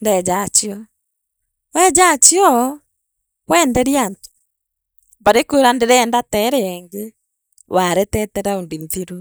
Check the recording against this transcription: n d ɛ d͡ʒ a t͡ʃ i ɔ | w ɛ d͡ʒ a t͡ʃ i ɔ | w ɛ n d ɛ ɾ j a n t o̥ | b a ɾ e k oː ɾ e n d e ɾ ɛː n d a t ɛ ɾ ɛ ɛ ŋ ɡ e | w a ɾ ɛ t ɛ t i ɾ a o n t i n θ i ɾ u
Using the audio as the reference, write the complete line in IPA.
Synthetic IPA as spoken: n d ɛ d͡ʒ a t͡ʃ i ɔ | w ɛ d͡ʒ a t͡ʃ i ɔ | w ɛ n d ɛ ɾ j a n t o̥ | b a ɾ e k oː ɾ a n d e ɾ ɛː n d a t ɛ ɾ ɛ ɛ ŋ ɡ e | w a ɾ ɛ t ɛ t ɛ ɾ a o n d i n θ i ɾ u